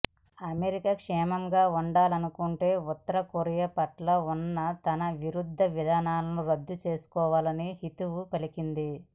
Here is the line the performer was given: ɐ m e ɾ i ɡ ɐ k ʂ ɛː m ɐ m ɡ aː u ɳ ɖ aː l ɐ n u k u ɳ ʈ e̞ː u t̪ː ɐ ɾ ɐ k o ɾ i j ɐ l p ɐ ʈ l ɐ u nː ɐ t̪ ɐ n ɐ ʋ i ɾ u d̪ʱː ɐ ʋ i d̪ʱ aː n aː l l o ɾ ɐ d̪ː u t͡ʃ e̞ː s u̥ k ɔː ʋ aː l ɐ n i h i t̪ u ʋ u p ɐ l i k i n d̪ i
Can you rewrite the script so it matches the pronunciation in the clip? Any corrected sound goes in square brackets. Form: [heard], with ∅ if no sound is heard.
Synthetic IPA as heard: ɐ m e ɾ i [k] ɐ k ʂ ɛː m ɐ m ɡ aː u ɳ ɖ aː l ɐ n u k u ɳ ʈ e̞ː u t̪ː ɐ ɾ ɐ k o ɾ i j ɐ [∅] p ɐ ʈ l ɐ u nː ɐ t̪ ɐ n ɐ ʋ i ɾ u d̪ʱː ɐ ʋ i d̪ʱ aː n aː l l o ɾ ɐ d̪ː u t͡ʃ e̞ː s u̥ k ɔː ʋ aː l ɐ n i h i t̪ u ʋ u p ɐ l i k i n d̪ i